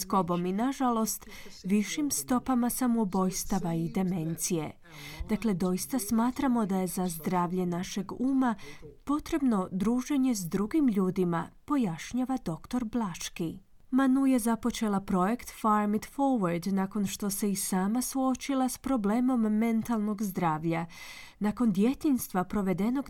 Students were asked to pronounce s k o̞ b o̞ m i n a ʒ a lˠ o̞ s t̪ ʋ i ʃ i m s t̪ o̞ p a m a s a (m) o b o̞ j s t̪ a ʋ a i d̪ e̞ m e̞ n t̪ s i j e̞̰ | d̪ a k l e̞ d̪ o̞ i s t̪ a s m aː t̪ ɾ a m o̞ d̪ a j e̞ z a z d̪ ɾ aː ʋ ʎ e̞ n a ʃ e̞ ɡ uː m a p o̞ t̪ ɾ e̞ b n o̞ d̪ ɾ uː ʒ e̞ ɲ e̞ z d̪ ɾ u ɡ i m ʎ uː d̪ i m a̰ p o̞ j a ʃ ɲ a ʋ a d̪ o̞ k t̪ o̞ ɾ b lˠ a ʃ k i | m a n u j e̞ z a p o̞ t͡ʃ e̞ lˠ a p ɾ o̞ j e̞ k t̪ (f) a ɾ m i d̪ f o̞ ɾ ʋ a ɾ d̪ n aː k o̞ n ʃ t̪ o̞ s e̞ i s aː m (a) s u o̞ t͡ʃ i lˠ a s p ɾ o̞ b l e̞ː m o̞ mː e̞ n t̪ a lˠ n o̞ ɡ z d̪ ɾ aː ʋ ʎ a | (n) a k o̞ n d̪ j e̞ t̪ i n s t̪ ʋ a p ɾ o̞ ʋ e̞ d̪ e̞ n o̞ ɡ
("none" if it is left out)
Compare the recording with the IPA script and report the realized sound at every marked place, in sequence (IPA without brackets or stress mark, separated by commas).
m, f, a, n